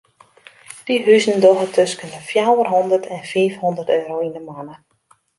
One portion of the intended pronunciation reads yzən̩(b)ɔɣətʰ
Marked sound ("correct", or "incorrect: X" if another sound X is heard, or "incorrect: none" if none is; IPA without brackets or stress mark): incorrect: d